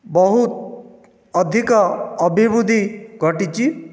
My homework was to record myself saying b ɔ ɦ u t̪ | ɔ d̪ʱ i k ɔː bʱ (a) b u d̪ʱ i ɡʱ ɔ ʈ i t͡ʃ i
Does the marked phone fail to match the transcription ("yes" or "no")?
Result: yes